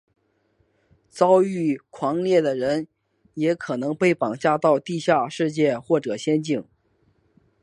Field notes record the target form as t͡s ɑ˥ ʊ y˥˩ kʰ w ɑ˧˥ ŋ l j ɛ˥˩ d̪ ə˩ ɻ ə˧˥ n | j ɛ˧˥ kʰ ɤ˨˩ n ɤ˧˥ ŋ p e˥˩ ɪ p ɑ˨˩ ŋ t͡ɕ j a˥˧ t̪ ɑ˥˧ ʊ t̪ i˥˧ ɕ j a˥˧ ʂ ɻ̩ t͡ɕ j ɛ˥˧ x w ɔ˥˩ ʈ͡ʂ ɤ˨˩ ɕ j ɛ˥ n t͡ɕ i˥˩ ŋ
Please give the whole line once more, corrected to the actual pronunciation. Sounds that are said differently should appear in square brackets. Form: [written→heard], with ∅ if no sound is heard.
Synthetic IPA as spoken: t͡s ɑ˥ ʊ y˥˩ kʰ w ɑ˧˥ ŋ l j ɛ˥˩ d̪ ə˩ ɻ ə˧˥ n | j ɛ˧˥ kʰ ɤ˨˩ n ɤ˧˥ ŋ p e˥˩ ɪ p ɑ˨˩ ŋ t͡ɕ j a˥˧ t̪ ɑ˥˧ ʊ t̪ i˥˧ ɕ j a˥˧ ʂ ɻ̩ t͡ɕ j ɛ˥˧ x w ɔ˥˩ ʈ͡ʂ ɤ˨˩ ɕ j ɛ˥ n t͡ɕ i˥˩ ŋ